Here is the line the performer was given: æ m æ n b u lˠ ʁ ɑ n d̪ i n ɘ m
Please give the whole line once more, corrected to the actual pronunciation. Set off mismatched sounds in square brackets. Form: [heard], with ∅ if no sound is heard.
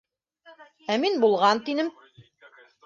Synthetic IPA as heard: æ m [i] n b u lˠ ʁ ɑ n [t̪] i n ɘ m